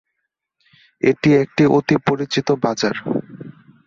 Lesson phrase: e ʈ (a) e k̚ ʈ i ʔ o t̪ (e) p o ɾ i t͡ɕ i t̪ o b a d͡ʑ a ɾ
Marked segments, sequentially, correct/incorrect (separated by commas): incorrect, incorrect